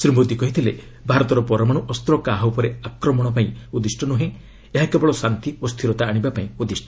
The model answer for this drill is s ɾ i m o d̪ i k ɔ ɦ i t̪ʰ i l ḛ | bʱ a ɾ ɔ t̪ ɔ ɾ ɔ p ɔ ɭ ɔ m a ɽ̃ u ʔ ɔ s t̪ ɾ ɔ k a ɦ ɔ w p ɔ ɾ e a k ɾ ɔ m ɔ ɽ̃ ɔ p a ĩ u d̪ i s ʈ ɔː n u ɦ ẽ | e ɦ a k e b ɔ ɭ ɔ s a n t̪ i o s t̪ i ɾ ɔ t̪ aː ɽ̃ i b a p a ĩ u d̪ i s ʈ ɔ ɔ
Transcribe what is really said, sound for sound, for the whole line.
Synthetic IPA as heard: s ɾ i m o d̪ i k ɔ ɦ i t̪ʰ i l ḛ | bʱ a ɾ ɔ t̪ ɔ ɾ ɔ p ɔ ɾ ɔ m a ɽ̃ u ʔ ɔ s t̪ ɾ ɔ k a ɦ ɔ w p ɔ ɾ e a k ɾ ɔ m ɔ ɽ̃ ɔ p a ĩ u d̪ i s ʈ ɔ n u ɦ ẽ | e ɦ a k e b ɔ ɭ ɔ s a n t̪ i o s t̪ʰ i ɾ ɔ t̪ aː ɽ̃ i b a p a ĩ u d̪ i s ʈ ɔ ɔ